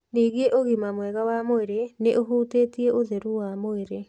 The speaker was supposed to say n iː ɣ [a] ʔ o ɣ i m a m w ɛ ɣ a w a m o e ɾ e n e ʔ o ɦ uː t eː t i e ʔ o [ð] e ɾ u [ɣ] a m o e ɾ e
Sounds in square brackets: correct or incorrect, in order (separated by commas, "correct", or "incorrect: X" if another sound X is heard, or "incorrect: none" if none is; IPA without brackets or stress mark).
incorrect: e, correct, incorrect: w